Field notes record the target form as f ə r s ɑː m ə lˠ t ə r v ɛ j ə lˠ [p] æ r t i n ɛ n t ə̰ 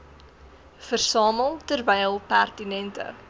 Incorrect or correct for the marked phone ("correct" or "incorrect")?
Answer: correct